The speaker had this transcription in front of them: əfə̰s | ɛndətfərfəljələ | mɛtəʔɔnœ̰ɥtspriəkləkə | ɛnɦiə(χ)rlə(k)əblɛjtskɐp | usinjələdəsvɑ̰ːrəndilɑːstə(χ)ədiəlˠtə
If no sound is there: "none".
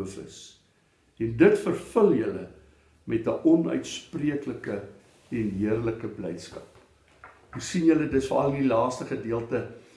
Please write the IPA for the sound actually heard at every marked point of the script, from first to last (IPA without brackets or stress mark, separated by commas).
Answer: none, k, χ